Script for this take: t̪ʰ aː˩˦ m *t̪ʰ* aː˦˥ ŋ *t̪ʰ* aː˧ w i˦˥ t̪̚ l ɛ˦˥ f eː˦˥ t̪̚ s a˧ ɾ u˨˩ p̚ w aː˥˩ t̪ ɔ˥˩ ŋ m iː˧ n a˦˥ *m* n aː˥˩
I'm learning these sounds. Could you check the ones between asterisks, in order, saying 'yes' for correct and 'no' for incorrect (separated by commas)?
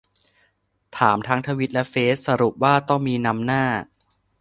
yes, yes, yes